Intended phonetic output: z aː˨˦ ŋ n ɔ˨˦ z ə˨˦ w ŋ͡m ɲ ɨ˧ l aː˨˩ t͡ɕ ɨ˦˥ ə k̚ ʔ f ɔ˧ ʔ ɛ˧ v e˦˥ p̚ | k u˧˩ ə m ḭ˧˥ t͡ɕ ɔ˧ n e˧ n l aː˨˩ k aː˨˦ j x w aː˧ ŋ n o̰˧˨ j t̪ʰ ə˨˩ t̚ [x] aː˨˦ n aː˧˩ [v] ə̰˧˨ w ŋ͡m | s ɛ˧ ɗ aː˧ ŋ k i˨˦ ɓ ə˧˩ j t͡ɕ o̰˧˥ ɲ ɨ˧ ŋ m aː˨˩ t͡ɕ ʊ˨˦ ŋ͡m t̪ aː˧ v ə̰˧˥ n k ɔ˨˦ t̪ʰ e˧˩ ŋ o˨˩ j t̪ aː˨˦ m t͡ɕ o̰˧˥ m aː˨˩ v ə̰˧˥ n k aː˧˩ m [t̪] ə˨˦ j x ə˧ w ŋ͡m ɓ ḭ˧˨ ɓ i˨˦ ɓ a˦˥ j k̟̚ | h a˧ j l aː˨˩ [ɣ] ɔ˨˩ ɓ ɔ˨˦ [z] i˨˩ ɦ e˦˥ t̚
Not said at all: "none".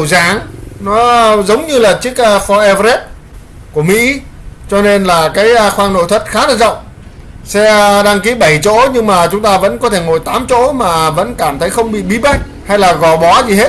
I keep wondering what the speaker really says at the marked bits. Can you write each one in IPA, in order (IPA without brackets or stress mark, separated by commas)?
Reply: x, z, t̪ʰ, ɣ, z